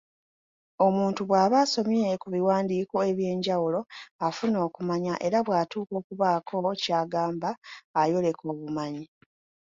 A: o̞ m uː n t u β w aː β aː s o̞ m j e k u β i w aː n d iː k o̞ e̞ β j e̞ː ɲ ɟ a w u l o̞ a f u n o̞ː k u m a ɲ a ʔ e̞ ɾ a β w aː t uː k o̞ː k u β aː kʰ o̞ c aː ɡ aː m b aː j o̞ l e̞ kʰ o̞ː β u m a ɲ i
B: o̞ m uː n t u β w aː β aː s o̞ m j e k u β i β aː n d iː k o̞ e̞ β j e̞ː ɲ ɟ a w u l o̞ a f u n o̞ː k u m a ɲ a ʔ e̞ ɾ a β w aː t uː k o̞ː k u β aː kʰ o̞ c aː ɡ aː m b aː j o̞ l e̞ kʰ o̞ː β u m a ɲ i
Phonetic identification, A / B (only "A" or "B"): A